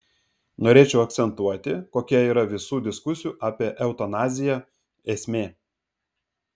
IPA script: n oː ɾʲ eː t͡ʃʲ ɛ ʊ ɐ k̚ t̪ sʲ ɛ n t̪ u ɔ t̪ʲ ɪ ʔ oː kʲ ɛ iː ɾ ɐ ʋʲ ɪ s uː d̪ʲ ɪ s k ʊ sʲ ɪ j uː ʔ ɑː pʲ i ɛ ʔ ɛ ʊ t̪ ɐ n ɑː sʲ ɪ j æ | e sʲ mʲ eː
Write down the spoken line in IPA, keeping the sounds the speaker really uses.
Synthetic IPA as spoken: n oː ɾʲ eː t͡ʃʲ ɛ ʊ ɐ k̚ t̪ sʲ ɛ n t̪ u ɔ t̪ʲ ɪ k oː kʲ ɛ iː ɾ ɐ ʋʲ ɪ s uː d̪ʲ ɪ s k ʊ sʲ ɪ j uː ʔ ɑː pʲ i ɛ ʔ ɛ ʊ t̪ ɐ n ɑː zʲ ɪ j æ | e sʲ mʲ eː